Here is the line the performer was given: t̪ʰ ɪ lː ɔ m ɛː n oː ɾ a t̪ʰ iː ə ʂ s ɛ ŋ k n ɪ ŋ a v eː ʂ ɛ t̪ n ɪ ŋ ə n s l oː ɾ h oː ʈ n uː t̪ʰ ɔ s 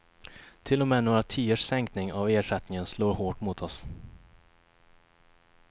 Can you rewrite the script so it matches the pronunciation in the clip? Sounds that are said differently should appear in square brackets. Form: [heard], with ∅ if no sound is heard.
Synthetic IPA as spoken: t̪ʰ ɪ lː ɔ m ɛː n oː ɾ a t̪ʰ iː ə ʂ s ɛ ŋ k n ɪ ŋ a v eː ʂ ɛ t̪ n ɪ ŋ ə n s l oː ɾ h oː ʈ [m] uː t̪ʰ ɔ s